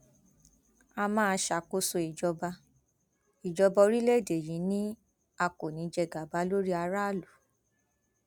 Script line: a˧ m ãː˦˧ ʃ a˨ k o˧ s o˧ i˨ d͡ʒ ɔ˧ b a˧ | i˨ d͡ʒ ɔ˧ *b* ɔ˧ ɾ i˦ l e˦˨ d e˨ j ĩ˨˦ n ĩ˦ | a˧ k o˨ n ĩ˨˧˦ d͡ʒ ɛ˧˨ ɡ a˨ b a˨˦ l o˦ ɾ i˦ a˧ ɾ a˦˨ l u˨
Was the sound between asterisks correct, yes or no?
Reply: yes